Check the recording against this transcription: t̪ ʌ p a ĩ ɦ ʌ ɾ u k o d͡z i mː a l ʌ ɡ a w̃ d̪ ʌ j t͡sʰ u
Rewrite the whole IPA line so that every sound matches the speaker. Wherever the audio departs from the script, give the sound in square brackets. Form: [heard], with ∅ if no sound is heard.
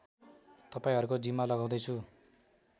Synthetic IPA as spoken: t̪ ʌ p a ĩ ɦ ʌ ɾ u k o d͡z i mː a l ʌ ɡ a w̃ d̪ ʌ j t͡sʰ u